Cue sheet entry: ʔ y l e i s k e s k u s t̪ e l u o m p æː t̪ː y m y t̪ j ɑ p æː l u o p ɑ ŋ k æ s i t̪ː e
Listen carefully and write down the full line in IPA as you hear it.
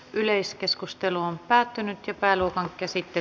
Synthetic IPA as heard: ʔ y l e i s k e s k u s t̪ e l u o m p æː t̪ː y n y t̪ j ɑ p æː l u o k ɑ ŋ k æ s i t̪ː e